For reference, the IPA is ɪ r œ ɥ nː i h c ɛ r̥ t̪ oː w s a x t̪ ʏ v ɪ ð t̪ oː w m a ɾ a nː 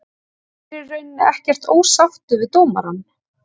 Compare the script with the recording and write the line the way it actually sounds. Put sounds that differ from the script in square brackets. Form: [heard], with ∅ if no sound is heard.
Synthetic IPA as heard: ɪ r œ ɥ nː [ɛ] h c ɛ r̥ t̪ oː w s a [f] t̪ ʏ v ɪ ð t̪ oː w m a ɾ a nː